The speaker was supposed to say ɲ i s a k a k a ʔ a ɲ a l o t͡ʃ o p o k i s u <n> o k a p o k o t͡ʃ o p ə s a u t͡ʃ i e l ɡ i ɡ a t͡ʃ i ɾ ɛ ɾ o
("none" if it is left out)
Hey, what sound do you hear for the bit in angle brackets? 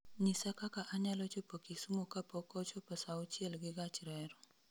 m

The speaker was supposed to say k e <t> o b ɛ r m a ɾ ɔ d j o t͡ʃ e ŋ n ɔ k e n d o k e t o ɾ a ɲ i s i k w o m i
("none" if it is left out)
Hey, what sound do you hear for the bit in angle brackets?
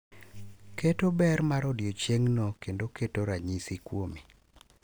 t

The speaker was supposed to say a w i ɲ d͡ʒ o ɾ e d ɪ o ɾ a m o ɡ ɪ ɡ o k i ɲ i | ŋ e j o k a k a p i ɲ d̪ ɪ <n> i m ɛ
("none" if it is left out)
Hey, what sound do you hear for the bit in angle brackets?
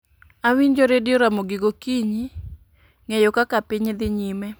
ɲ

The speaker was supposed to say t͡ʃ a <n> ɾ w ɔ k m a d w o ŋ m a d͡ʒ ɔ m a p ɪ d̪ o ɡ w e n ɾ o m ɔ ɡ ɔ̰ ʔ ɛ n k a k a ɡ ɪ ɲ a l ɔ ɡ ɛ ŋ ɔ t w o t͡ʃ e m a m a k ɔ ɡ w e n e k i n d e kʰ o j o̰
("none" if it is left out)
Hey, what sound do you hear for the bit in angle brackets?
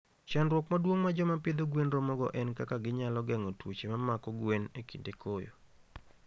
n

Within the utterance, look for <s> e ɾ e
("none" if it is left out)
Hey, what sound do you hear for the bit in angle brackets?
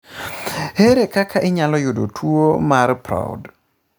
h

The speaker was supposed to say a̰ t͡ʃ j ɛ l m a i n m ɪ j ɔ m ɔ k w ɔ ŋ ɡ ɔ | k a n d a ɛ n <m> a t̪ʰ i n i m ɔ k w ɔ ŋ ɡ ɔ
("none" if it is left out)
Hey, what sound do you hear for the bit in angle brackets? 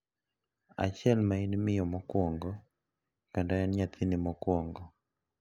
ɲ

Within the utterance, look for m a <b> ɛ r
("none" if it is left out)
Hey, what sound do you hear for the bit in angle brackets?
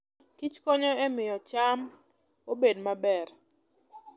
b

